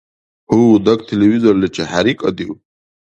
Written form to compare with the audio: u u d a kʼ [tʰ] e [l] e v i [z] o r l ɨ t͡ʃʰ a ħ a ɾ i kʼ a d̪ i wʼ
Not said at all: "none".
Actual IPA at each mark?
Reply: tʰ, l, z

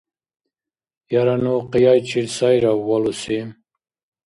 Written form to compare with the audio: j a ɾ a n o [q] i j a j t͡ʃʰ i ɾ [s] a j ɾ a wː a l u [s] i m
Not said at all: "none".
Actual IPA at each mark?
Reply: q, s, s

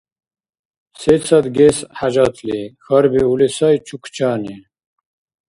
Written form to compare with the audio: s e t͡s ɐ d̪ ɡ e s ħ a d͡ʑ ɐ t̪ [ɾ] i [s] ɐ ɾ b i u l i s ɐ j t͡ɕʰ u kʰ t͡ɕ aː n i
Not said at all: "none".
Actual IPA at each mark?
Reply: l, x

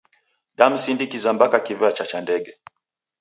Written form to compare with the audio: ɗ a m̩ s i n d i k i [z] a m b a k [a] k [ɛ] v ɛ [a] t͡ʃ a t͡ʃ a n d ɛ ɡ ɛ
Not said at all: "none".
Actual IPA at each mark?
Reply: z, a, i, a

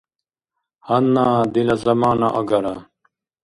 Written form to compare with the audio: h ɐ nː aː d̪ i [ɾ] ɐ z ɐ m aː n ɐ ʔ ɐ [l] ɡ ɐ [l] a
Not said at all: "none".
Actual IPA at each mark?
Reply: l, none, ɾ

